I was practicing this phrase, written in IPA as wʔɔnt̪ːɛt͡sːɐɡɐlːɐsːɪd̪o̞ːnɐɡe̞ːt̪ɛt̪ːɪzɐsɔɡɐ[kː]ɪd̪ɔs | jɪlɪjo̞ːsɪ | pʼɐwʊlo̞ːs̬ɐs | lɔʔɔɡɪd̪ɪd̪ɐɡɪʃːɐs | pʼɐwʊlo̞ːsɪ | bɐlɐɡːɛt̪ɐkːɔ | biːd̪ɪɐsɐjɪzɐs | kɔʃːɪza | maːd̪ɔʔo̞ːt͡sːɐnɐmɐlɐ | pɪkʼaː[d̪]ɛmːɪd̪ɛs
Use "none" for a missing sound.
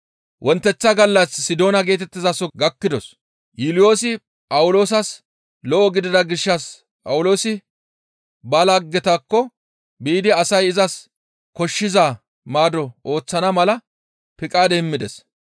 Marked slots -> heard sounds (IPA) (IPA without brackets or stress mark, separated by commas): kː, d̪